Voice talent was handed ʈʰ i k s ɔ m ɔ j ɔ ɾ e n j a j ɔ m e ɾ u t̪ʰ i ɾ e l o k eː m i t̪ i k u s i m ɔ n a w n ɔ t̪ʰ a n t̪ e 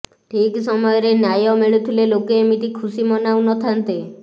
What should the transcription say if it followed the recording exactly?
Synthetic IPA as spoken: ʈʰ i k s ɔ m ɔ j ɔ ɾ e n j a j ɔ m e ɭ u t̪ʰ i l e l o k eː m i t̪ i kʰ u s i m ɔ n a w n ɔ t̪ʰ a n t̪ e